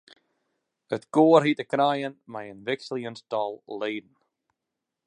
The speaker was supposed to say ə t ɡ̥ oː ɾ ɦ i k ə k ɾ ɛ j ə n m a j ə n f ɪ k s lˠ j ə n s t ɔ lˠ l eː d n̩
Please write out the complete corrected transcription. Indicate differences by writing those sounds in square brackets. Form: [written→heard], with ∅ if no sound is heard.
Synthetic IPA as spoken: ə t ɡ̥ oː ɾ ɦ i [k→t] ə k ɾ [ɛ→a] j ə n m a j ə n [f→v] ɪ k s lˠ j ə n s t ɔ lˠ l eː d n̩

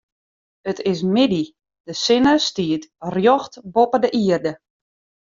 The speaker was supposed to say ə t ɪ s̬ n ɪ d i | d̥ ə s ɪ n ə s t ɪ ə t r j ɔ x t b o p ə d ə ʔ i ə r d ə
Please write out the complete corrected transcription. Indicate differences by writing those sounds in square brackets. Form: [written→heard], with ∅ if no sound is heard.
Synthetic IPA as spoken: ə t ɪ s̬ [n→m] ɪ d i | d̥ ə s ɪ n ə s t [ɪ→i] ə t r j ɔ x t b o p ə d ə ʔ i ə r d ə

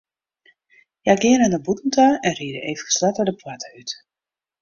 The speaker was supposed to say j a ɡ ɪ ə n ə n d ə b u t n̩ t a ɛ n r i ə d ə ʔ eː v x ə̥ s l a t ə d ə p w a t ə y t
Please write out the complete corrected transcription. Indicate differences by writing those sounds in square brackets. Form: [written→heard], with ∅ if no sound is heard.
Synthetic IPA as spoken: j a ɡ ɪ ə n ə n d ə b u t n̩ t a ɛ n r i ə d ə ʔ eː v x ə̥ s l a t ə d ə p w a t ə y t

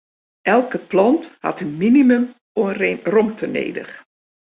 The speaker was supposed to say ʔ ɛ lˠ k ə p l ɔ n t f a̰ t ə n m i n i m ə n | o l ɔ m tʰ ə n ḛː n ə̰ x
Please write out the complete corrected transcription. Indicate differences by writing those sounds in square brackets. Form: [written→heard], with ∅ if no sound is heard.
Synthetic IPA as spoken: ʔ ɛ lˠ k ə p l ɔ n t [f→h] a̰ t ə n m i n i m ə [n→m] | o [l→r] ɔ m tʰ ə n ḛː [n→d] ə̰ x

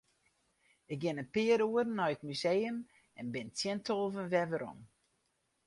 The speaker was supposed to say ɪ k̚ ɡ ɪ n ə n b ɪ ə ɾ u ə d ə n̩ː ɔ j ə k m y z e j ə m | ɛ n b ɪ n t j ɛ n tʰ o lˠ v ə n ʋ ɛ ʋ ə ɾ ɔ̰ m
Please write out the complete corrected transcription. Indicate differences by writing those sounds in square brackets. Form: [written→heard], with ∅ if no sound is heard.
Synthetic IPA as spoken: ɪ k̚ ɡ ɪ n ə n [b→p] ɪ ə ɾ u ə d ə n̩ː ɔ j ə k m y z e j ə m | ɛ n b ɪ n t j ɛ n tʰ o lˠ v ə n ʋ ɛ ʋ ə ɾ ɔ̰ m

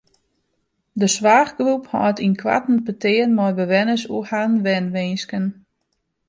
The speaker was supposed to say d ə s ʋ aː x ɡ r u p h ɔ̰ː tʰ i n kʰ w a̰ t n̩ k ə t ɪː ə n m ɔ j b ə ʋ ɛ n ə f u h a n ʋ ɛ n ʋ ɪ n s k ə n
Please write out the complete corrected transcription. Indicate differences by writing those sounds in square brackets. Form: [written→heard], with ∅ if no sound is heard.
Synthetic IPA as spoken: d ə s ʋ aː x ɡ r u p h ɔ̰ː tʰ i n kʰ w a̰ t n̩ [k→p] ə t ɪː ə n m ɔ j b ə ʋ ɛ n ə [f→s] u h a n ʋ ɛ n ʋ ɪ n s k ə n

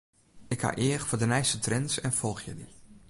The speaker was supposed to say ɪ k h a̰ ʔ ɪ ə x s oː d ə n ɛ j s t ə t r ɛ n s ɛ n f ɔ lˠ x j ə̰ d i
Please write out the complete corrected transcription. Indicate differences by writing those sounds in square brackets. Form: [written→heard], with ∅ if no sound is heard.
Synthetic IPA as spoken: ɪ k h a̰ ʔ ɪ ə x [s→f] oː d ə n ɛ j s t ə t r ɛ n s ɛ n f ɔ lˠ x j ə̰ d i

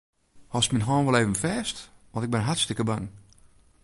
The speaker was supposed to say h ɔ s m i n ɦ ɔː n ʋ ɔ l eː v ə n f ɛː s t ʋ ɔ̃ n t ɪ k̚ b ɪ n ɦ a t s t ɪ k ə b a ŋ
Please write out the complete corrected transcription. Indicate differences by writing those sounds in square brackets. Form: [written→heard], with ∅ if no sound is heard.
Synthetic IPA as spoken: h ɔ s m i n ɦ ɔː n ʋ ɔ l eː v ə n f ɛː s t ʋ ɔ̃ n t ɪ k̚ b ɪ n ɦ a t s t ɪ k ə b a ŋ

